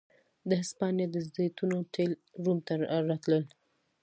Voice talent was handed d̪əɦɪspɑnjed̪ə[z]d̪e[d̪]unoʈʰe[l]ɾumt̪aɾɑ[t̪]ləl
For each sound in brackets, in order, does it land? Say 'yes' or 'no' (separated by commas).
yes, no, yes, yes